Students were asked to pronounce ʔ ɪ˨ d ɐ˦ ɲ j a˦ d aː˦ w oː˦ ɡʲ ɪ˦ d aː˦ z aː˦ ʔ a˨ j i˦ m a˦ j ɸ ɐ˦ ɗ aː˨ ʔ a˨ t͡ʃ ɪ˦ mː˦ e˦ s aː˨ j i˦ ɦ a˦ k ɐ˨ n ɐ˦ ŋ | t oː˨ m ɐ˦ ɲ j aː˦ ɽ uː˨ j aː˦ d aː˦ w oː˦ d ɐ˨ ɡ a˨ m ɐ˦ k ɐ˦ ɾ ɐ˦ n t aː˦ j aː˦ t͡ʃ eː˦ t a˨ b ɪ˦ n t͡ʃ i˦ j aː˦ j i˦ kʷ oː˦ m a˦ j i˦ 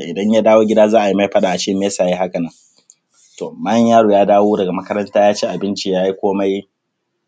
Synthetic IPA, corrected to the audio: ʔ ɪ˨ d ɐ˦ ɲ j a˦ d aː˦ w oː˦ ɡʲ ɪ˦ d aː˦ z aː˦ ʔ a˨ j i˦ m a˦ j ɸ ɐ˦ ɗ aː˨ ʔ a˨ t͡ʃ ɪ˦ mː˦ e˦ s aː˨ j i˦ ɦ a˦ k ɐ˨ n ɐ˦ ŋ | t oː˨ m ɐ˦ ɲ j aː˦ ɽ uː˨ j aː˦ d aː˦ w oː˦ d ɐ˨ ɡ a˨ m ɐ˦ k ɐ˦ ɾ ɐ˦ n t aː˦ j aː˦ t͡ʃ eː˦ ʔ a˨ b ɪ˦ n t͡ʃ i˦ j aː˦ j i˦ kʷ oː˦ m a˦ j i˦

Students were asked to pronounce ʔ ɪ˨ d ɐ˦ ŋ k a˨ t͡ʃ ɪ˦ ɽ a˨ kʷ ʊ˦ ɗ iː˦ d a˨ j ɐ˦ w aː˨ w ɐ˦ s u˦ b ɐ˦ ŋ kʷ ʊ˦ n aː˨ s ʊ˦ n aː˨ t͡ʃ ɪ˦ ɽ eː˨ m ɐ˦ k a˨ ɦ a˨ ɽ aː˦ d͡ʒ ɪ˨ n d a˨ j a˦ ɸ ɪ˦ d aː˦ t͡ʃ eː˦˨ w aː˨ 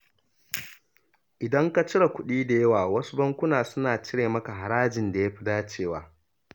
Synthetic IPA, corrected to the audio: ʔ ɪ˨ d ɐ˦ ŋ k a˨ t͡ʃ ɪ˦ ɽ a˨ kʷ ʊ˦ ɗ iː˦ d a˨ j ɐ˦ w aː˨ w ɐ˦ s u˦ b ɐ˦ ŋ kʷ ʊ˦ n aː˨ s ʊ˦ n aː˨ t͡ʃ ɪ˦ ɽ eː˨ m ɐ˦ k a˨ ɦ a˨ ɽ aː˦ d͡ʒ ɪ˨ n d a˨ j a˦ ɸ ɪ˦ d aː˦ t͡ʃ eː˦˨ w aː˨

